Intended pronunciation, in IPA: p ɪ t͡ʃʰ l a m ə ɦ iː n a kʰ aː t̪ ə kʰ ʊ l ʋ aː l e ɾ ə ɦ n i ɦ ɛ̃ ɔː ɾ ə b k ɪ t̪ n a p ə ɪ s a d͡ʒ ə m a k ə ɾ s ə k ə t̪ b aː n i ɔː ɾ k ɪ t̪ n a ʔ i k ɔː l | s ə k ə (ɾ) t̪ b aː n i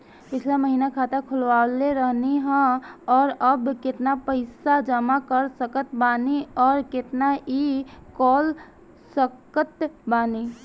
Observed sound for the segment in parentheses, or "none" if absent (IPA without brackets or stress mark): none